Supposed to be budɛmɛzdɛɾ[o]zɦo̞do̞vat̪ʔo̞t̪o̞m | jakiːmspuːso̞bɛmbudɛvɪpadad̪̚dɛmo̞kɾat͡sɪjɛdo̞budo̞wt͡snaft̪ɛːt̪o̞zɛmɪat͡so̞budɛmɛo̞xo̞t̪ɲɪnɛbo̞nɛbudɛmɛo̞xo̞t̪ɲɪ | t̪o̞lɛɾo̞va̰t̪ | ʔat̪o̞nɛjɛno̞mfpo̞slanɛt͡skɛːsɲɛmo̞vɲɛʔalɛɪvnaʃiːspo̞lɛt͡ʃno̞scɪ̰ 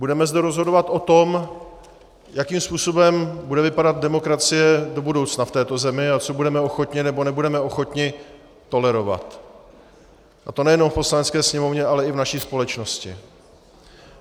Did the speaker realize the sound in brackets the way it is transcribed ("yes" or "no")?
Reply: yes